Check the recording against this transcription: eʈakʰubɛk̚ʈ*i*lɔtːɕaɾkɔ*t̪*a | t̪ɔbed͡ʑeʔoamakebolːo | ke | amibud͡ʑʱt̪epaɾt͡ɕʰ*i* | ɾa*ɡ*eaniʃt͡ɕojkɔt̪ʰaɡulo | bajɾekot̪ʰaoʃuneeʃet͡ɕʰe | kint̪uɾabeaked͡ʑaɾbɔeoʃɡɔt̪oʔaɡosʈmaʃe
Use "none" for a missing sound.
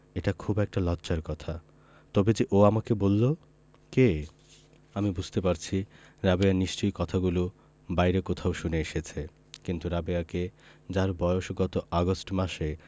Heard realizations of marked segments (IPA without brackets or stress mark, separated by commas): a, t̪ʰ, i, b